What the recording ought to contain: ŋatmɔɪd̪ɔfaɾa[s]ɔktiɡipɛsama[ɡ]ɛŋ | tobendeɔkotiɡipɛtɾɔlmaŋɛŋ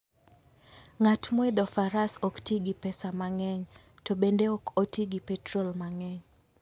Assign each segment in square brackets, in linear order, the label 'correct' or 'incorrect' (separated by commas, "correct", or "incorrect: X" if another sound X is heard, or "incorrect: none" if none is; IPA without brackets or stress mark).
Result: correct, incorrect: ŋ